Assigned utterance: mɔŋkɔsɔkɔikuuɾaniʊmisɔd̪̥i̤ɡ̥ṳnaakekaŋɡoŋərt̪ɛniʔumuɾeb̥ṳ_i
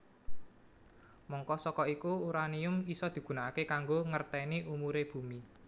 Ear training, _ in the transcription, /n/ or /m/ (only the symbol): m